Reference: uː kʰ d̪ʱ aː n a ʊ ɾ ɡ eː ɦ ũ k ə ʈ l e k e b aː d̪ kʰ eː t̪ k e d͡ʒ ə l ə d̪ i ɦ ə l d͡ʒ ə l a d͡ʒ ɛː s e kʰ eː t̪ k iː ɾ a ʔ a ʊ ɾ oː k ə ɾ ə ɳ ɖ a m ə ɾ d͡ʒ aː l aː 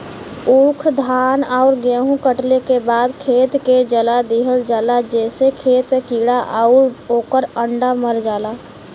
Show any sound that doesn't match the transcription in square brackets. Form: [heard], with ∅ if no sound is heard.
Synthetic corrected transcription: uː kʰ d̪ʱ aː n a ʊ ɾ ɡ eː ɦ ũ k ə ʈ l e k e b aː d̪ kʰ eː t̪ k e d͡ʒ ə l [a] d̪ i ɦ ə l d͡ʒ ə l a d͡ʒ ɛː s e kʰ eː t̪ k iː [ɽ] a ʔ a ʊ ɾ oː k ə ɾ ə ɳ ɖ a m ə ɾ d͡ʒ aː l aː